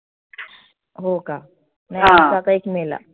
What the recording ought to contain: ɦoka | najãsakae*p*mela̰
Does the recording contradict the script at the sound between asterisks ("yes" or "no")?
yes